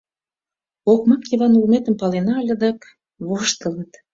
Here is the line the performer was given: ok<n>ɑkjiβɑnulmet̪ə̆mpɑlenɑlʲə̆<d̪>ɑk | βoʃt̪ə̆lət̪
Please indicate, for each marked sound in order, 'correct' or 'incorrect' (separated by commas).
incorrect, correct